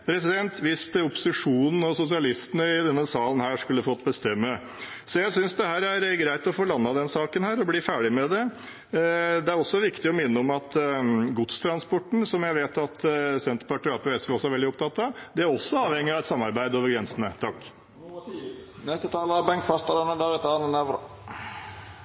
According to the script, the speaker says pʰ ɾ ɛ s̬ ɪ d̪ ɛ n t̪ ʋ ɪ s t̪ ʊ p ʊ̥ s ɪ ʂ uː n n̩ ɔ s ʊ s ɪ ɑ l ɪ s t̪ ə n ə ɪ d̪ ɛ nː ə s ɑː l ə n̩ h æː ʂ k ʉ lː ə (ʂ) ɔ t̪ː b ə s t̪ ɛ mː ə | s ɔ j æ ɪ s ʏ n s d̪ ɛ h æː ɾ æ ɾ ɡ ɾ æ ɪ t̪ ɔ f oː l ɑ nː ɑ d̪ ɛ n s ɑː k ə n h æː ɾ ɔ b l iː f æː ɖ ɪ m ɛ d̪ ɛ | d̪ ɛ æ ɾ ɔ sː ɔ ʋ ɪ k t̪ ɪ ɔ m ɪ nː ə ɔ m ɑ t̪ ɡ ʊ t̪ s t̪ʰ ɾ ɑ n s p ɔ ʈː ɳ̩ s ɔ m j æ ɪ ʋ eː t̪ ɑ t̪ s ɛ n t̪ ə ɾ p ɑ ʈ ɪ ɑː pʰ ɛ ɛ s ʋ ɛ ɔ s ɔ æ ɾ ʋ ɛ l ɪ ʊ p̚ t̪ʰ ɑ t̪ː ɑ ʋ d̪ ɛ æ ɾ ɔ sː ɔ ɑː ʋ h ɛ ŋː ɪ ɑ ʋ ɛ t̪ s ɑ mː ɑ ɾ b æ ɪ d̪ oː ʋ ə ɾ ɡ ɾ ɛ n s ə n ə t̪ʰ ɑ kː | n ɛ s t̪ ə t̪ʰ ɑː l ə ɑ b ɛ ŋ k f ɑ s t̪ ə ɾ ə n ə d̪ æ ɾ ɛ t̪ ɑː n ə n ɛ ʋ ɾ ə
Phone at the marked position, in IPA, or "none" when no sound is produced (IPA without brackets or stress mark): f